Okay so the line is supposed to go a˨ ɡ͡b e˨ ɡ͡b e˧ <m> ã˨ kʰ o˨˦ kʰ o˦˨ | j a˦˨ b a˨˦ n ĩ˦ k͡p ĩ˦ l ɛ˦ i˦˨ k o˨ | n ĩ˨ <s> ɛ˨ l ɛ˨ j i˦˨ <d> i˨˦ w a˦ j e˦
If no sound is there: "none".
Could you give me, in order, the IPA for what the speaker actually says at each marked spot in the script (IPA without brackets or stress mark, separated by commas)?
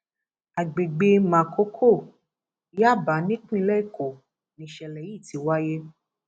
m, ʃ, t